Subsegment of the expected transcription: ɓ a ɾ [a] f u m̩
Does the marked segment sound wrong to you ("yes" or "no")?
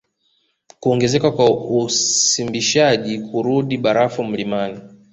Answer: no